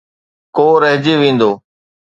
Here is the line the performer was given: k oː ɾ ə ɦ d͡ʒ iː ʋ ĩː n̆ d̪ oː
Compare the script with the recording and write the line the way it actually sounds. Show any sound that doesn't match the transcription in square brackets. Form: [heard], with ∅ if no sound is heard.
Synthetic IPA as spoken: k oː ɾ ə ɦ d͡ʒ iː ʋ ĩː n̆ d̪ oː